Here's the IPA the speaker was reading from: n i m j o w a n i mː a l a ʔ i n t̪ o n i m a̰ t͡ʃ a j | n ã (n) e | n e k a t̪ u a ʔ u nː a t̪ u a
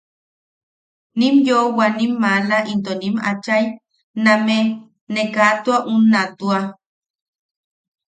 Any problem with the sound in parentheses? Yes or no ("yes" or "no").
yes